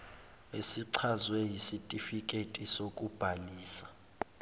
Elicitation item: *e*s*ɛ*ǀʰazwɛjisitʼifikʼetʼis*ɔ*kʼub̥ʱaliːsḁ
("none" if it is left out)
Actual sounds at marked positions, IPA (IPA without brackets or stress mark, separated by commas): e, i, o